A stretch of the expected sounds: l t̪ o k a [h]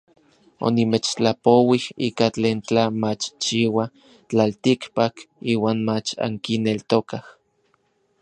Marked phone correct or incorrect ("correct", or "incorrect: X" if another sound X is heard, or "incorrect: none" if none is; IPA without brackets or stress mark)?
correct